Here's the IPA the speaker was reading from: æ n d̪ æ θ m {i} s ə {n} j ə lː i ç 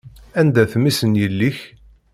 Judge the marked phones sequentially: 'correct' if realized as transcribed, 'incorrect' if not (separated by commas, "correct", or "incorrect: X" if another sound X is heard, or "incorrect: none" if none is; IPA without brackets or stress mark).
correct, correct